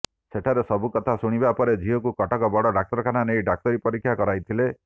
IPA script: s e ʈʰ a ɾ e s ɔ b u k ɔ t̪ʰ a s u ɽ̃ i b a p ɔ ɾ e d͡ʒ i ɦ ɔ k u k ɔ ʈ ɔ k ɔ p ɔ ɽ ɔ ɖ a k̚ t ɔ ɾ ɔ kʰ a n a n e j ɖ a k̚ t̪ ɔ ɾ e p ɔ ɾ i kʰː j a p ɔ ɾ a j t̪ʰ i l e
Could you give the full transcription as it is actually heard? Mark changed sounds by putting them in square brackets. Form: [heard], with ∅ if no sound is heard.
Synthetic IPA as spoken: s e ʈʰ a ɾ e s ɔ b u k ɔ t̪ʰ a s u ɽ̃ i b a p ɔ ɾ e d͡ʒ i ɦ ɔ k u k ɔ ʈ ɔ k ɔ [b] ɔ ɽ ɔ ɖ a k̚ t ɔ ɾ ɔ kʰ a n a n e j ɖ a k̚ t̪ ɔ ɾ [i] p ɔ ɾ i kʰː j a [k] ɔ ɾ a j t̪ʰ i l e